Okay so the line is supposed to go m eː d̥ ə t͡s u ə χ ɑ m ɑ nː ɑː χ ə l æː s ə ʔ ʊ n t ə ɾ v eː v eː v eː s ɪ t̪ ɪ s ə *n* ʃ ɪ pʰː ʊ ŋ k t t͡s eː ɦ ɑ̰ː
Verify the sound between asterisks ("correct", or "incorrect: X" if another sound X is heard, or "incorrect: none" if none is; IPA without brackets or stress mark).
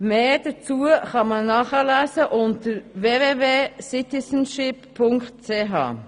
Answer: correct